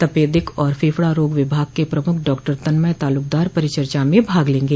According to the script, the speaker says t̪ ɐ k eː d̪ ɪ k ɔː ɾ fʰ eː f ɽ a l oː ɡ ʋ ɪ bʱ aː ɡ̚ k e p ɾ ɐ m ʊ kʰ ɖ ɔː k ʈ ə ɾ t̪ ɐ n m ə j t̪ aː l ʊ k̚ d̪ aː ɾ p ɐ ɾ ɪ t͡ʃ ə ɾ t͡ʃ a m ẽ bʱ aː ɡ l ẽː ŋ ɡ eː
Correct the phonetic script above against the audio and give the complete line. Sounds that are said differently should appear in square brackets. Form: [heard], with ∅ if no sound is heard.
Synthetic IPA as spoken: t̪ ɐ [p] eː d̪ ɪ k ɔː ɾ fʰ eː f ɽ a [ɾ] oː ɡ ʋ ɪ bʱ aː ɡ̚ k e p ɾ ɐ m ʊ kʰ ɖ ɔː k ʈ ə ɾ t̪ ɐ n m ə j t̪ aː l ʊ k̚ d̪ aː ɾ p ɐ ɾ ɪ t͡ʃ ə ɾ t͡ʃ a m ẽ bʱ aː ɡ l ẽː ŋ ɡ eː